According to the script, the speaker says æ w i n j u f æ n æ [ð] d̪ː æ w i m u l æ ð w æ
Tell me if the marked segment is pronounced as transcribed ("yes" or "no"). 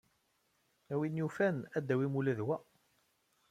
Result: no